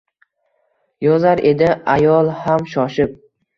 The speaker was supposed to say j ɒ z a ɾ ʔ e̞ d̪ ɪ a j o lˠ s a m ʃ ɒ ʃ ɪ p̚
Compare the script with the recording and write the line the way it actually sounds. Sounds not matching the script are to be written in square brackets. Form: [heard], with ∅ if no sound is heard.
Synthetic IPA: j ɒ z a ɾ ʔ e̞ d̪ ɪ a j [ɒ] lˠ [h] a m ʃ ɒ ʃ ɪ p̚